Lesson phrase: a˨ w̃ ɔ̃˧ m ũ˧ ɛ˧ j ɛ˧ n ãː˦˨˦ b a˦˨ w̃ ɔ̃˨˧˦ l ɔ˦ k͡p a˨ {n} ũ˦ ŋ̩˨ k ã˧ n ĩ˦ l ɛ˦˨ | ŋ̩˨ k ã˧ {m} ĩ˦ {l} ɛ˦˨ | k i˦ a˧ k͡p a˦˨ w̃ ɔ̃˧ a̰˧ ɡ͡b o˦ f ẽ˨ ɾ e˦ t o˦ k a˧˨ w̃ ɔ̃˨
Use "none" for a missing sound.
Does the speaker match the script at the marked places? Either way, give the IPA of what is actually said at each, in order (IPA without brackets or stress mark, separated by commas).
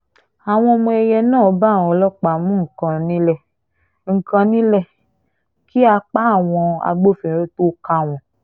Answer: m, n, l